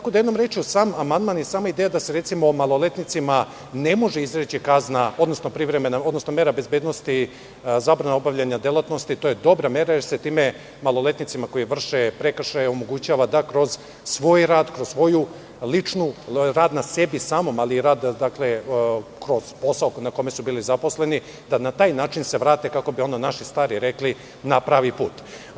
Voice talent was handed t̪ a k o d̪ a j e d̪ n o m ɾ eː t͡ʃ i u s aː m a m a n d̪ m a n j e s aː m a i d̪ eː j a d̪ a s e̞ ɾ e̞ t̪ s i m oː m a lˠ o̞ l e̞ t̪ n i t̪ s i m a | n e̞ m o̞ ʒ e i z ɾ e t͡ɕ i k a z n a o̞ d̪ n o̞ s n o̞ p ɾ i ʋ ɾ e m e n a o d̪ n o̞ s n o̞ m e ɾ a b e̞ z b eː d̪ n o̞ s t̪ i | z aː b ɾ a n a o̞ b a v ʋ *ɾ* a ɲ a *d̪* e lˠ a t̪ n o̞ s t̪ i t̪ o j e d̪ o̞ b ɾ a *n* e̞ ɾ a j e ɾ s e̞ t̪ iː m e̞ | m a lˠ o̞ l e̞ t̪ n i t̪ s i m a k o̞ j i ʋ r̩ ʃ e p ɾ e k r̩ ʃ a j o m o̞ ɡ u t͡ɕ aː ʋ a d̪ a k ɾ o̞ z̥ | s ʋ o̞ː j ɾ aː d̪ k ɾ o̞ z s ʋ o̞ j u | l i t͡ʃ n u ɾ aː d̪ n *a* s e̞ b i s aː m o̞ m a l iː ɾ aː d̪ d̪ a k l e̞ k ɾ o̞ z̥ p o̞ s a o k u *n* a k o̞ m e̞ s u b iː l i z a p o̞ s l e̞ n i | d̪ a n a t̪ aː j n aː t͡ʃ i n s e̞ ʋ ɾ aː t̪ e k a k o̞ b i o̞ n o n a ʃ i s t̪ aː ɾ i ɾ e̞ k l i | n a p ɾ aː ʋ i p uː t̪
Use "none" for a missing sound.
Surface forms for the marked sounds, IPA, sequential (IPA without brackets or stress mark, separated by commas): ʎ, d̪, m, a, n